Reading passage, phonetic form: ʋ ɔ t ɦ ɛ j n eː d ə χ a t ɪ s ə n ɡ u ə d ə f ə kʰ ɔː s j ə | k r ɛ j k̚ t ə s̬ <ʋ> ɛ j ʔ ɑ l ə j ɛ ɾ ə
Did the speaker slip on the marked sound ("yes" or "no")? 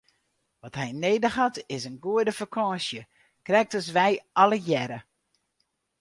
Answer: no